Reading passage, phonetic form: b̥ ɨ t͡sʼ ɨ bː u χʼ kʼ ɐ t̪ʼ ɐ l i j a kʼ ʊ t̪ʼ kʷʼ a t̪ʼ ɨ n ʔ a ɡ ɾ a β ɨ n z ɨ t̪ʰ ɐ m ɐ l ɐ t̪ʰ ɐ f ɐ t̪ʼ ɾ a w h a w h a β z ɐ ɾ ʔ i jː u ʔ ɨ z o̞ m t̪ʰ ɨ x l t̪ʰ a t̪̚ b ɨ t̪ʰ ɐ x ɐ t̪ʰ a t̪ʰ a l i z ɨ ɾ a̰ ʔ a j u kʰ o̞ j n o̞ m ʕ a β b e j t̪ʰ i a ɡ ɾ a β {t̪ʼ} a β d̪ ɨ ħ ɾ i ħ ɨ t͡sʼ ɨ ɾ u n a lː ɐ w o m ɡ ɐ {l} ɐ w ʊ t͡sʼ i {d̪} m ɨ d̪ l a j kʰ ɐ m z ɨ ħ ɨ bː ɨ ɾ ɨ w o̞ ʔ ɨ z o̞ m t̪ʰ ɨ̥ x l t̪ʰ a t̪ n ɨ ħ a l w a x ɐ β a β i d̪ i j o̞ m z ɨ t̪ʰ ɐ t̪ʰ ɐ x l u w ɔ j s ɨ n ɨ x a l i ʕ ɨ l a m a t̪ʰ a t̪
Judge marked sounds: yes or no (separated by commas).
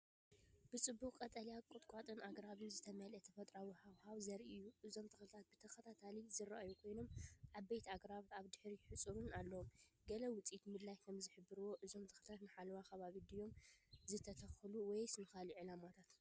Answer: no, yes, no